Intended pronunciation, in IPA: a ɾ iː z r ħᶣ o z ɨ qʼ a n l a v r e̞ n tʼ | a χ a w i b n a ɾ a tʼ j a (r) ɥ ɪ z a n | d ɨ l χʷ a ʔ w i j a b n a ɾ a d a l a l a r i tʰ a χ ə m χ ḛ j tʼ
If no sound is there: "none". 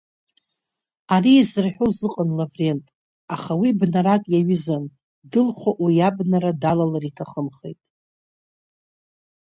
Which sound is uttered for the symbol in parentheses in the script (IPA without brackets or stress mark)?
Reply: none